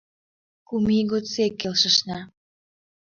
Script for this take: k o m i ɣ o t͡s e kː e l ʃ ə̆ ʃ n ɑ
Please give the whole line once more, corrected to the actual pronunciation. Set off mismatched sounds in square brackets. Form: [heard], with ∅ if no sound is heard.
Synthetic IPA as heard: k [u] m i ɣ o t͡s e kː e l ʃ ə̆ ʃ n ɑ